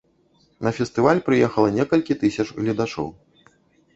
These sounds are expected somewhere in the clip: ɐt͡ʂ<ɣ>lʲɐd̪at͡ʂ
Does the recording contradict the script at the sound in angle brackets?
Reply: no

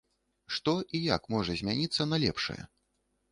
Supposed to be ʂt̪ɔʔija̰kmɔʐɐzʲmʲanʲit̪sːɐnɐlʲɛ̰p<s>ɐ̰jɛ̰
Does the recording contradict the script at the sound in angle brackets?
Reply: yes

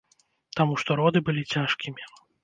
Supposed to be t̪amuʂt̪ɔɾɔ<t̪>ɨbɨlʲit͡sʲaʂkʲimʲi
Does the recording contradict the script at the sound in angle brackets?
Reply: yes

